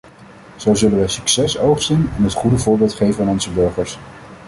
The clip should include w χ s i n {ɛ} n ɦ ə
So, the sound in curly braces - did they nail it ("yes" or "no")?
yes